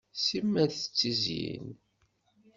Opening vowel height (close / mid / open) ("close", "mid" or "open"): close